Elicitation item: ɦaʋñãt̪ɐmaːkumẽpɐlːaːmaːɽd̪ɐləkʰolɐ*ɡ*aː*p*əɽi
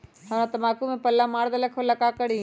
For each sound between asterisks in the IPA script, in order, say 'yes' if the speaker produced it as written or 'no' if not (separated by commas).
no, no